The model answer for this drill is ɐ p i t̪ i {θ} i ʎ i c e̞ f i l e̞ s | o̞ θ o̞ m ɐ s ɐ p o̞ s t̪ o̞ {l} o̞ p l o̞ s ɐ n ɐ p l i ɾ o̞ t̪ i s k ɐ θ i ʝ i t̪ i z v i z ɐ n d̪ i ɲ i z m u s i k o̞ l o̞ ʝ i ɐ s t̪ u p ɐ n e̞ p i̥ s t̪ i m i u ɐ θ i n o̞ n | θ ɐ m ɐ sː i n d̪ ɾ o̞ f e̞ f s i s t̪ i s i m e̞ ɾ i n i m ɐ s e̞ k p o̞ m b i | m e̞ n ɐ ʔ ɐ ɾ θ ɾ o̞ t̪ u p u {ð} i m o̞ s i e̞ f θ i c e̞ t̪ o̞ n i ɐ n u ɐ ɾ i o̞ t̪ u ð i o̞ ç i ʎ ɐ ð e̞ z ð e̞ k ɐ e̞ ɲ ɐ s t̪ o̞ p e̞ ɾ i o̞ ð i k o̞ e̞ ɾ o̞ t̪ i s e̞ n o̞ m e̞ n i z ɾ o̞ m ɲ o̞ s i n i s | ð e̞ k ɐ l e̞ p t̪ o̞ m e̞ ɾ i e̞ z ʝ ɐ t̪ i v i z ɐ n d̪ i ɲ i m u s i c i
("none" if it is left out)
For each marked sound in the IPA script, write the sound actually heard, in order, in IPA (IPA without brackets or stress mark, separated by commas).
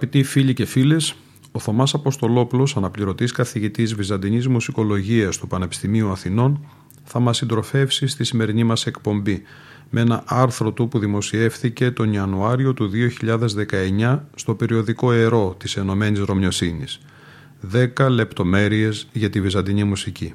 f, l, ð